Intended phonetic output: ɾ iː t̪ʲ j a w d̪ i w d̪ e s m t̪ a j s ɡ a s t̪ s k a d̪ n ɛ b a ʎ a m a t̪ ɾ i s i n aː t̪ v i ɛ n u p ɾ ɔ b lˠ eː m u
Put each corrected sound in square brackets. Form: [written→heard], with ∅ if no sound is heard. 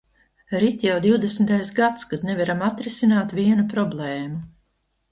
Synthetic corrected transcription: ɾ [iː→i] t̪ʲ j a w d̪ i w d̪ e s m t̪ a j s ɡ a [s→∅] t̪ s k a d̪ n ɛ [b→v] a [ʎ→ɾ] a m a t̪ ɾ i s i n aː t̪ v i ɛ n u p ɾ ɔ b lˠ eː m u